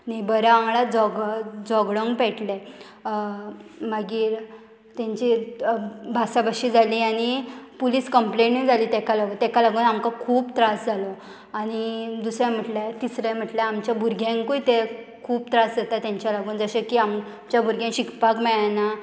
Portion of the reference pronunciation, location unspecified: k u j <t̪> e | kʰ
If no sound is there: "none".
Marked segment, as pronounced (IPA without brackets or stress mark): t̪